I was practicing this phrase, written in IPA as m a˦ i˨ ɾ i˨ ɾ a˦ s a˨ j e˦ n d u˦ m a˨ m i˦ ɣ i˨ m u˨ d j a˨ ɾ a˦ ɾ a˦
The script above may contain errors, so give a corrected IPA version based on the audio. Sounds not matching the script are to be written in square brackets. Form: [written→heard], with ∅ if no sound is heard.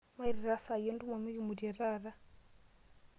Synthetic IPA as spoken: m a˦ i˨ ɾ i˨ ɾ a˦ s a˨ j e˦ n d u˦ m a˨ m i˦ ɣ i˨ m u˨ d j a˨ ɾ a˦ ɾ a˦